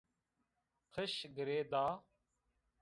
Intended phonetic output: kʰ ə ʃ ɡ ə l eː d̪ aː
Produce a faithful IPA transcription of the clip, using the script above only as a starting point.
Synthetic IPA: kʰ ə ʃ ɡ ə ɾ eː d̪ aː